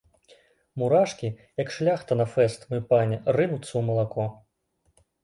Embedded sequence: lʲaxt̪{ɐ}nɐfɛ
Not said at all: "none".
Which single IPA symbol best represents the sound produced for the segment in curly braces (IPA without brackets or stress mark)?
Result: ɐ